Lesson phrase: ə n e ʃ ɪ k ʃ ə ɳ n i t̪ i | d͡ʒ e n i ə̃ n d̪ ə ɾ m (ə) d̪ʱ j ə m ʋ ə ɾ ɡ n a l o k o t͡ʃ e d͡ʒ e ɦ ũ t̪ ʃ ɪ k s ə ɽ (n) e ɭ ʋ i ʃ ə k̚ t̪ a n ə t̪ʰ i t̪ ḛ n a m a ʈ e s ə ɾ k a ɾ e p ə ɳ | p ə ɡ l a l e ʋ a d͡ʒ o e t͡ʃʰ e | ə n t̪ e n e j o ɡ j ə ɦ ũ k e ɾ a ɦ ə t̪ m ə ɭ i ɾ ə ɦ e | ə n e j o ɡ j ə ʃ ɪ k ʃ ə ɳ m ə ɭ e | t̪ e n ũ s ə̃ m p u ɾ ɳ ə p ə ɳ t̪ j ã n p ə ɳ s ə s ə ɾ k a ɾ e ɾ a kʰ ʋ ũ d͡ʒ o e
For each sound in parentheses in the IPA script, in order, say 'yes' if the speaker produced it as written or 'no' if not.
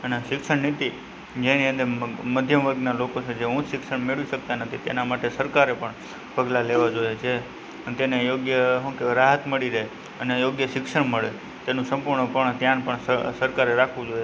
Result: yes, no

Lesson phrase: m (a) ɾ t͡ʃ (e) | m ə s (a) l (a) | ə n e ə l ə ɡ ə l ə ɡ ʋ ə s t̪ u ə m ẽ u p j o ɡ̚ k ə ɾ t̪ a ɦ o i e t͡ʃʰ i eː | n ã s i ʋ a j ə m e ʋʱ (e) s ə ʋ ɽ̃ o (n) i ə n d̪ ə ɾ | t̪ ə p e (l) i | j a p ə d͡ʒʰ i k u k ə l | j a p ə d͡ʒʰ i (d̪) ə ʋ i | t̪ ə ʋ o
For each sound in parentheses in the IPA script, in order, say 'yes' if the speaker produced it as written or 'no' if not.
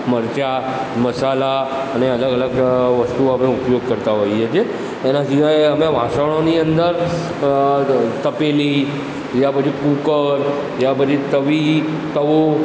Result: no, no, yes, yes, no, yes, yes, no

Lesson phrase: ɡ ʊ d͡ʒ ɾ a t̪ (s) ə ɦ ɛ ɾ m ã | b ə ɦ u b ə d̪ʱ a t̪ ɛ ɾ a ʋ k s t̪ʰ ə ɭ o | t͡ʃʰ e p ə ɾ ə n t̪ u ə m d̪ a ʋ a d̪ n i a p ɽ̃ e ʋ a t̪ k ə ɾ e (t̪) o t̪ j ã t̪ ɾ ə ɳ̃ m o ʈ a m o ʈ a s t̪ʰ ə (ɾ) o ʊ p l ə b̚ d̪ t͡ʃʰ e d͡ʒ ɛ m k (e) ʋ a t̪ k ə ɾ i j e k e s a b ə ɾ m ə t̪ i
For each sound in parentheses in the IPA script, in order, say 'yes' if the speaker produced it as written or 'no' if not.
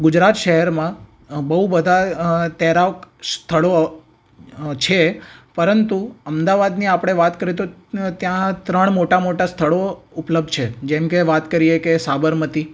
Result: no, yes, no, yes

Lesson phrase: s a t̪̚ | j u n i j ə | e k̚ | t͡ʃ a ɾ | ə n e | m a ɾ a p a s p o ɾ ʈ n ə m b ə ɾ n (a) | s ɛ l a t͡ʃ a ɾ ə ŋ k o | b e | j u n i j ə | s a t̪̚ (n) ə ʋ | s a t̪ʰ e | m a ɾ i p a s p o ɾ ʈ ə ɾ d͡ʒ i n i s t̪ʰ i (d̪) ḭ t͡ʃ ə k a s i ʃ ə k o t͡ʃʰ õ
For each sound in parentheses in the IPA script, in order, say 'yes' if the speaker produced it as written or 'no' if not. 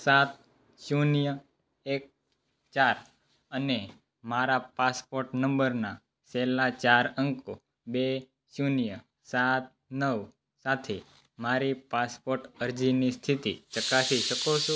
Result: yes, yes, no

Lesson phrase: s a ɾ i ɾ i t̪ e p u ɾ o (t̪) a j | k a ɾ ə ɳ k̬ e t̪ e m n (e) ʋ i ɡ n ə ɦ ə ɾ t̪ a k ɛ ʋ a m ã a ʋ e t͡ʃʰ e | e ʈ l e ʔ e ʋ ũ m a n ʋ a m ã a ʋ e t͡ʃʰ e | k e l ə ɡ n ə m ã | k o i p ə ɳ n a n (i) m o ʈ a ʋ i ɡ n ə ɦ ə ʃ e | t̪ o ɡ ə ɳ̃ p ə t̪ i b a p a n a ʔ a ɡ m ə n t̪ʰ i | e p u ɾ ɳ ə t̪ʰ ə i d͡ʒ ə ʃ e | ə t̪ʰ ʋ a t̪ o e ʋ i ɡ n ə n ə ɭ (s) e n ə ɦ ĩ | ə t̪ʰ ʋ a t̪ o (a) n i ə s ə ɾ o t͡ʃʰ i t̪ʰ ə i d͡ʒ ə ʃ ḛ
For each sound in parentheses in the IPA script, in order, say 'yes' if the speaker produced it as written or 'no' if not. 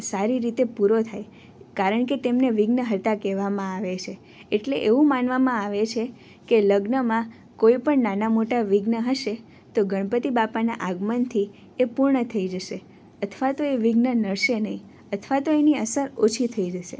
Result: no, yes, no, no, no

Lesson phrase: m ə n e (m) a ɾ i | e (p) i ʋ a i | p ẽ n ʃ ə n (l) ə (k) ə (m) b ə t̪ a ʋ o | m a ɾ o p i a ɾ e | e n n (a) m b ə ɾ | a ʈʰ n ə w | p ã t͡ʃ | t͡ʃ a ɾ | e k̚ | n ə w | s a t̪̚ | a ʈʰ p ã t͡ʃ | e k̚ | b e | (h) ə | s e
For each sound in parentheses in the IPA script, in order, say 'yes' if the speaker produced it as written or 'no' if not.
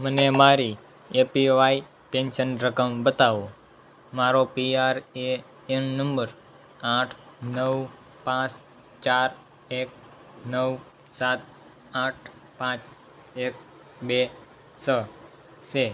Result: yes, yes, no, yes, yes, no, no

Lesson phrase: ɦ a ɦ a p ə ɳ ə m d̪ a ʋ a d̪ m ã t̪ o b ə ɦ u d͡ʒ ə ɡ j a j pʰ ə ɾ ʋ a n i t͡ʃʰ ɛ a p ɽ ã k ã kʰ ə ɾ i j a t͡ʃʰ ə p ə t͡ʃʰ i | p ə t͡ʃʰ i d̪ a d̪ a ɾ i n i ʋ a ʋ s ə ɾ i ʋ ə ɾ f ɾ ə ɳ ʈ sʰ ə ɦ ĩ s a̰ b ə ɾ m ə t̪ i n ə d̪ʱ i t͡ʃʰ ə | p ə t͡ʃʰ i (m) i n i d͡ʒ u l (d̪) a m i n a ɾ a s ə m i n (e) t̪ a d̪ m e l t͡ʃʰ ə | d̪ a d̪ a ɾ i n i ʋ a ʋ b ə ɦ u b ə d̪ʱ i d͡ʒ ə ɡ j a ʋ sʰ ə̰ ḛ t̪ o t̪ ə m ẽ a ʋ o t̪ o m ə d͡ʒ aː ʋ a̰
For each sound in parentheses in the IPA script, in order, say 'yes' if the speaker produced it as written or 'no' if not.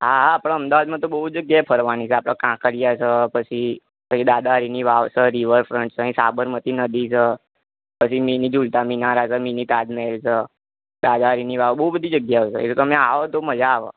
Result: yes, no, no

